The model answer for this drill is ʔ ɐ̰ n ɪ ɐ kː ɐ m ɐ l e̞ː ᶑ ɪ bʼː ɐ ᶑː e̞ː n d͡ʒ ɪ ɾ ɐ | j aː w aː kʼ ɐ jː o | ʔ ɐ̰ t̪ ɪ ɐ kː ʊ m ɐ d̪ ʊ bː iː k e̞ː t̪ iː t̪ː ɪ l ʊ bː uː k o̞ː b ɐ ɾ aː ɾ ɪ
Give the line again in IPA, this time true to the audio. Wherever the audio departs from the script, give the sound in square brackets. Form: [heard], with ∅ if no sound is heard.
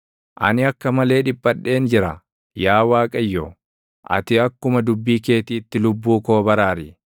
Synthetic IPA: ʔ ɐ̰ n ɪ ɐ kː ɐ m ɐ l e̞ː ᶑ ɪ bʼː ɐ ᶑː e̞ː n d͡ʒ ɪ ɾ ɐ | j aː w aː kʼ ɐ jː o | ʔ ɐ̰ t̪ ɪ ɐ kː ʊ m ɐ d̪ ʊ bː iː k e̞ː t̪ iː t̪ː ɪ l ʊ bː uː k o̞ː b ɐ ɾ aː ɾ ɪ